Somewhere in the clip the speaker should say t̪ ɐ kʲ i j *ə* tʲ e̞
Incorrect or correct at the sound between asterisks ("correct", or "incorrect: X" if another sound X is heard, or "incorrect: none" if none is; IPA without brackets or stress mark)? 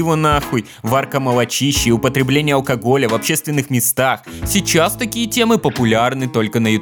correct